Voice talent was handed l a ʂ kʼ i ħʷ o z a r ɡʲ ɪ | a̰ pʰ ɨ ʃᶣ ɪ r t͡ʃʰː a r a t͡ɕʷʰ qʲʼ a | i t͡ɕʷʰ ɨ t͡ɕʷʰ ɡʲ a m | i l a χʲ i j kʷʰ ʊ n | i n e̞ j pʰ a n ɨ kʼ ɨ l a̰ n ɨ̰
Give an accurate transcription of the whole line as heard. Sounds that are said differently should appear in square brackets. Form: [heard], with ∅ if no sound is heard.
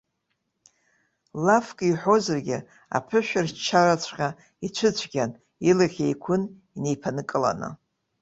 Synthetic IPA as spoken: l a [f] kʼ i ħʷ o z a r ɡʲ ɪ | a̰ pʰ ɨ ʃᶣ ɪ r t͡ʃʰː a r a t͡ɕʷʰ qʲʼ a | i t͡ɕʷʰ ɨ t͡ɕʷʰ ɡʲ a [n] | i l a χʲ [e] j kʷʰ ʊ n | i n e̞ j pʰ a n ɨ kʼ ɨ l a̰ n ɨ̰